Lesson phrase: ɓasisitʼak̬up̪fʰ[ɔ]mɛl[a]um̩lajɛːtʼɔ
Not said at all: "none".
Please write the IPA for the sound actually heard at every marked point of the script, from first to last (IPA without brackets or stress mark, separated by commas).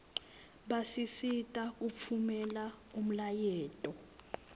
u, a